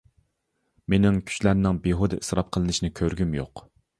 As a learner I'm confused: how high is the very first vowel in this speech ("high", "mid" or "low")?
mid